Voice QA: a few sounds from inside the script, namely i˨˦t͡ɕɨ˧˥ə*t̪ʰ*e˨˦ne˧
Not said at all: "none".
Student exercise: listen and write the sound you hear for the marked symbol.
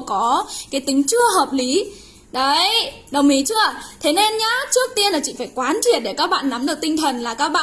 t̪ʰ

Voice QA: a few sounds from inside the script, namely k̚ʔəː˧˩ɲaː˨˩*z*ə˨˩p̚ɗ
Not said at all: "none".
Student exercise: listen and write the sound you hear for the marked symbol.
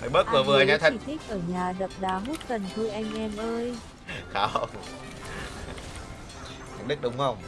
z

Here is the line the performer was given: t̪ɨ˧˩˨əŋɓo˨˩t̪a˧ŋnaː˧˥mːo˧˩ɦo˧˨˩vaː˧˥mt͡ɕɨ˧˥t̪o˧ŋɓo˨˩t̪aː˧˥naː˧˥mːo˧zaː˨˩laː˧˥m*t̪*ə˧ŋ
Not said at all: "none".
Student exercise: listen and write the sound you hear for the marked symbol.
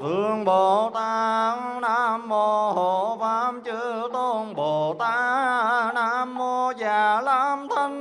t̪ʰ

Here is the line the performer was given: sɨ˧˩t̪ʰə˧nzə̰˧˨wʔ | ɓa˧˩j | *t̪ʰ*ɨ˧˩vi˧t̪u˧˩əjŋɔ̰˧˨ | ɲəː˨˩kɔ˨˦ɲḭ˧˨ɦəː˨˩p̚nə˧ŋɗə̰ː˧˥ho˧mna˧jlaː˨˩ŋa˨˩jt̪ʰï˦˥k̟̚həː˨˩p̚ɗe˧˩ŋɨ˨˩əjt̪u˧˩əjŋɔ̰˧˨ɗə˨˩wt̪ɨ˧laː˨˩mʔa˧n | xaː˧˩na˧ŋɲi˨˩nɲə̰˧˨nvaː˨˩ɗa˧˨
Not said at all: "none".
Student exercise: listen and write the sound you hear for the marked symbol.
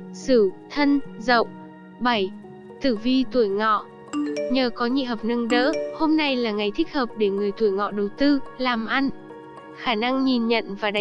t̪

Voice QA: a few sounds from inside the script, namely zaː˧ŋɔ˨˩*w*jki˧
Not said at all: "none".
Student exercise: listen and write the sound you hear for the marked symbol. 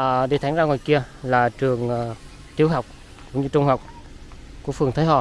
none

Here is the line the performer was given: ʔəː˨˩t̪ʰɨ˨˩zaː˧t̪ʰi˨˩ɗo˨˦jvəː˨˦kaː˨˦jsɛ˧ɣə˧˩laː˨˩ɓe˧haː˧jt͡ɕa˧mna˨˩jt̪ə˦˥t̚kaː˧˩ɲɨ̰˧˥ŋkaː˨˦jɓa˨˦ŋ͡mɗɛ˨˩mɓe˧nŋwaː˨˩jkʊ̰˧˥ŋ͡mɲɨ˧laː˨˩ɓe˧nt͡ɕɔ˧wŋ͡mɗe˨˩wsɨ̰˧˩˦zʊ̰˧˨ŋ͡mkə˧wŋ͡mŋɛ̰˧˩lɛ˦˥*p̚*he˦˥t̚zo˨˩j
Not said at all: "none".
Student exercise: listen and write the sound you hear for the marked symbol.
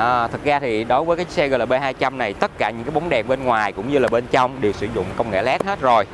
t̚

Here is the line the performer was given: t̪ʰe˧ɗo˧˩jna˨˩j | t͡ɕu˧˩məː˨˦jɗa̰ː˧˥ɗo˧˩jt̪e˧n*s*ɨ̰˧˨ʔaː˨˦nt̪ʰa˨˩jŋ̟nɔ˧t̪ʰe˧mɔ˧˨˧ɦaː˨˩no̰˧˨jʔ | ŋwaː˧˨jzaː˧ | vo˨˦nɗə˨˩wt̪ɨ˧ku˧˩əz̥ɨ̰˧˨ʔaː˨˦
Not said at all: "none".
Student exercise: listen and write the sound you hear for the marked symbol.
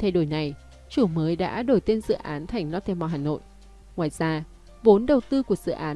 z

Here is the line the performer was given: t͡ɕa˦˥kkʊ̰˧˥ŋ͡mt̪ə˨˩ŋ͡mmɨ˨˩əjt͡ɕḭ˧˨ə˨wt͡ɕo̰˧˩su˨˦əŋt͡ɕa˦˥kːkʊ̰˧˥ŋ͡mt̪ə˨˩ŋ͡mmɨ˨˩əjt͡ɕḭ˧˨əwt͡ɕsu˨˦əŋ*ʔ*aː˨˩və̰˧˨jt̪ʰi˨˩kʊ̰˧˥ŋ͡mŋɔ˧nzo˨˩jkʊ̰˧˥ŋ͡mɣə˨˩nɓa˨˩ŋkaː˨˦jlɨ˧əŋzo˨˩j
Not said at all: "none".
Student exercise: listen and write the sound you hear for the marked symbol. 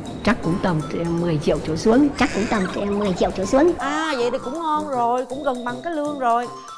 ʔ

